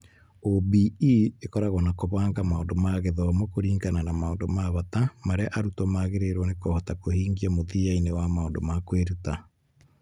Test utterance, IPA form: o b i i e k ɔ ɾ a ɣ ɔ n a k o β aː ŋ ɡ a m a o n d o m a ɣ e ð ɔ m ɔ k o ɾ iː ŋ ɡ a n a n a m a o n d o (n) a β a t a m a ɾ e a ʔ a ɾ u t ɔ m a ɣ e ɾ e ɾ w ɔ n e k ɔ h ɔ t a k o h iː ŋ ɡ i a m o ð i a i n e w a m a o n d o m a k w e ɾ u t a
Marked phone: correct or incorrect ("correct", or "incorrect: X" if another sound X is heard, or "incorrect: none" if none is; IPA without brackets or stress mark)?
incorrect: m